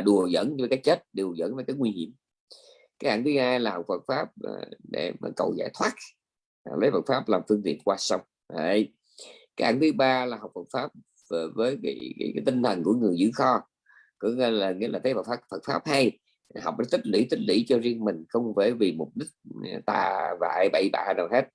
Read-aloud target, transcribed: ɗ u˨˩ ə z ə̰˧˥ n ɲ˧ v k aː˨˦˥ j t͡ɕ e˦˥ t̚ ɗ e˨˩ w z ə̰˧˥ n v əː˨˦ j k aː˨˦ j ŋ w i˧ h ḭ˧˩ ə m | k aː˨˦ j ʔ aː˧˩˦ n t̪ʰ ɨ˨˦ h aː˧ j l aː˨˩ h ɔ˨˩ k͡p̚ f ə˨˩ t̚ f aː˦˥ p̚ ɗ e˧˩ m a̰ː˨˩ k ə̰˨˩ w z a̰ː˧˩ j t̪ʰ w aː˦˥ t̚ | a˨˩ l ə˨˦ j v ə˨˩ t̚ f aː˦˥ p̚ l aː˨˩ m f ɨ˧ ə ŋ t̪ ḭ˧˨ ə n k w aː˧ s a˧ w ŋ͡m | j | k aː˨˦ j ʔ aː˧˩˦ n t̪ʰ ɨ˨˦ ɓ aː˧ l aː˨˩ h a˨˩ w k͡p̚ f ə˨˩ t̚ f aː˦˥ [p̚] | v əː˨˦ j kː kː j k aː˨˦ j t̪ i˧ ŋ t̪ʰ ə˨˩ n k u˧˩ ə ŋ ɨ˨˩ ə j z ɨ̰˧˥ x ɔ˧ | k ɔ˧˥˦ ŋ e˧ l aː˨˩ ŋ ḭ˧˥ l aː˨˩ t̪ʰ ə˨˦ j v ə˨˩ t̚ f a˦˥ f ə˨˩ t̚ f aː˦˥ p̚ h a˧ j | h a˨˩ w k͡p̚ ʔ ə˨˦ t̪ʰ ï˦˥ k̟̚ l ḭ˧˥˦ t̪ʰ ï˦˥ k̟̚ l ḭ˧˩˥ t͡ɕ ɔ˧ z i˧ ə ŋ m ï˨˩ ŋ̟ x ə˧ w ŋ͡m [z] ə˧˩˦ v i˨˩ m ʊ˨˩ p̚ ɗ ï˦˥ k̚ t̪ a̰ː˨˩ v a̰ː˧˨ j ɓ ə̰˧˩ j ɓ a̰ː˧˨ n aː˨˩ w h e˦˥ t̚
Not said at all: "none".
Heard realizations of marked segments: p̚, v

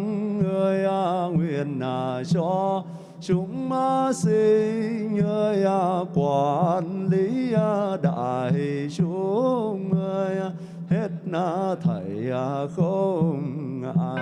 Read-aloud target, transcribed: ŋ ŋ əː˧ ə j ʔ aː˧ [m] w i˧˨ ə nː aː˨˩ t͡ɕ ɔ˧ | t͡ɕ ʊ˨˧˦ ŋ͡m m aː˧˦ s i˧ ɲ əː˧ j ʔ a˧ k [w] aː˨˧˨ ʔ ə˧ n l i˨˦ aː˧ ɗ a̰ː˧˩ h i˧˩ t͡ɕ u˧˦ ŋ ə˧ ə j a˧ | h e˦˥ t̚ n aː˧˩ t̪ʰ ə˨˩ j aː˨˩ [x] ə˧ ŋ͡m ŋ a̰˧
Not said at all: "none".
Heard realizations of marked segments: ŋ, w, x

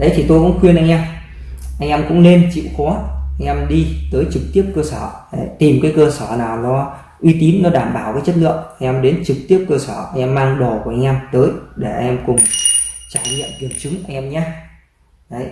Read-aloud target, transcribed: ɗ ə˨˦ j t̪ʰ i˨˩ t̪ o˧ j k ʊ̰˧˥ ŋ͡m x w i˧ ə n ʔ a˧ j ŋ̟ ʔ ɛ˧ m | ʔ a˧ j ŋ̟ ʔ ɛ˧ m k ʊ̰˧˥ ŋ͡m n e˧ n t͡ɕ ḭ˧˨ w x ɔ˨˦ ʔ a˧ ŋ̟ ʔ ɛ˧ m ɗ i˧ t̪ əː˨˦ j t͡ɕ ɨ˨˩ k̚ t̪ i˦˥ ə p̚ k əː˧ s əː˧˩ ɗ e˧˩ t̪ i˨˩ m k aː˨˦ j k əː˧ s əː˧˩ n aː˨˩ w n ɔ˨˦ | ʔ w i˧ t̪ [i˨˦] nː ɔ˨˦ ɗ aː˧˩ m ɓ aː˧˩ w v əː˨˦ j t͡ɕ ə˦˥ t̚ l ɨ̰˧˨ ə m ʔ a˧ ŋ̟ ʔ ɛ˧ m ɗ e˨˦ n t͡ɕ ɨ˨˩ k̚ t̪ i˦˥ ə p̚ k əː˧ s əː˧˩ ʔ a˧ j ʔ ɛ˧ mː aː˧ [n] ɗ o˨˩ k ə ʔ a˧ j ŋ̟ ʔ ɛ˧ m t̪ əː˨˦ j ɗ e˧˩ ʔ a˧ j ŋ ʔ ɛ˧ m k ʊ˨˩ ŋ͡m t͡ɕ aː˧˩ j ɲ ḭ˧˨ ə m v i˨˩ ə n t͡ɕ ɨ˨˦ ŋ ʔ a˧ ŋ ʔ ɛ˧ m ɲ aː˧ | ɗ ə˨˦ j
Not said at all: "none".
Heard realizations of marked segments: i˨˦, ŋ

